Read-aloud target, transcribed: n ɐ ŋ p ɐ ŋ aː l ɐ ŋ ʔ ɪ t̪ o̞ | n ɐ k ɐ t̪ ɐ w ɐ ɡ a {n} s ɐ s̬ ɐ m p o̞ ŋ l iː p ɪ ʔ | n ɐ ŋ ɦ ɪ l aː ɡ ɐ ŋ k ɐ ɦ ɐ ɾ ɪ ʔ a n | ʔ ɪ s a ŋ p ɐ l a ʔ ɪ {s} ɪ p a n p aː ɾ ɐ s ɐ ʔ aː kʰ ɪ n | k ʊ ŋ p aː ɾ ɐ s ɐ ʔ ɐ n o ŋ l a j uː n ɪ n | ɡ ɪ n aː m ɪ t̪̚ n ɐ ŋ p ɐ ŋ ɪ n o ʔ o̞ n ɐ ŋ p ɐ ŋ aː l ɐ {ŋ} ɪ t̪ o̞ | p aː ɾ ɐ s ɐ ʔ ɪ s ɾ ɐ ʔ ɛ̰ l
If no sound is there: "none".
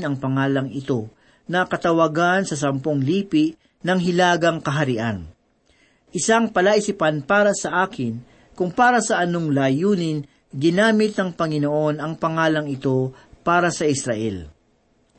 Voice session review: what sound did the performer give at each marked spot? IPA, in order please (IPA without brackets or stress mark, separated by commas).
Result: n, s, ŋ